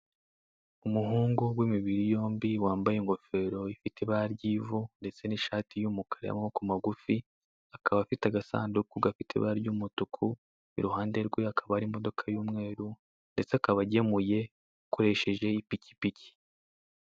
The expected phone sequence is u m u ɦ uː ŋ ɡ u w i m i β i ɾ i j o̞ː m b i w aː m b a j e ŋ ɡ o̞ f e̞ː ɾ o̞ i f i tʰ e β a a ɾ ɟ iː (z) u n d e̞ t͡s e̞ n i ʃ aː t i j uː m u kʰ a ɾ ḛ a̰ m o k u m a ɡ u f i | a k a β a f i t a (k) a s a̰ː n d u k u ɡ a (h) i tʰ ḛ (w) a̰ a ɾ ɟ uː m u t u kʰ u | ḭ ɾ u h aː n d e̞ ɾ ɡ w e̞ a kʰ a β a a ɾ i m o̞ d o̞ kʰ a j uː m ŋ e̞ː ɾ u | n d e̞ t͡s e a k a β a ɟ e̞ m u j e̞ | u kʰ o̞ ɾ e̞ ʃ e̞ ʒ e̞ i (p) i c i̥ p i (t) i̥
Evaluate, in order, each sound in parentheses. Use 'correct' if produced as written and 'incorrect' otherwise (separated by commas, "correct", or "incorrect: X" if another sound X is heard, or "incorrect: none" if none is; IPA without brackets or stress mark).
incorrect: v, incorrect: ɡ, incorrect: f, incorrect: β, correct, incorrect: c